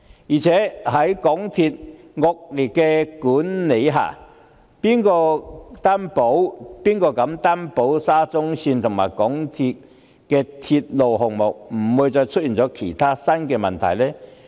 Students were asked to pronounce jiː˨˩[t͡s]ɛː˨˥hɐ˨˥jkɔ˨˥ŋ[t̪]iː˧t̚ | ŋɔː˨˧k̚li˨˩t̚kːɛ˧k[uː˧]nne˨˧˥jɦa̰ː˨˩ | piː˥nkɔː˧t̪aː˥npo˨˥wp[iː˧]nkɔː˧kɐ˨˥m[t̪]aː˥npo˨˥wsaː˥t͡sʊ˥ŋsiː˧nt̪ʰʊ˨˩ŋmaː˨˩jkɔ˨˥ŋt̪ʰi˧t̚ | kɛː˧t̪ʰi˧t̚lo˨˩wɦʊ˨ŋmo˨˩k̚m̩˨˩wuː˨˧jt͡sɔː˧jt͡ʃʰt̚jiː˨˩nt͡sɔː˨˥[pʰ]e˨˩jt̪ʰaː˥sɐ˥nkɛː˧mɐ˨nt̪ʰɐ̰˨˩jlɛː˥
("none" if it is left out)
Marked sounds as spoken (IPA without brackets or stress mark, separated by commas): t͡sʰ, t̪ʰ, uː˨˥, iː˥, t̪, kʰ